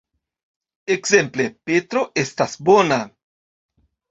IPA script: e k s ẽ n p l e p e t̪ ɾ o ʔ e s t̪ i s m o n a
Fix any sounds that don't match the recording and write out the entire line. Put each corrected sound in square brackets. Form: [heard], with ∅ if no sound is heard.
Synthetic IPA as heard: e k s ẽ [m] p l e p e t̪ ɾ o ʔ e s t̪ [a] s [b] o n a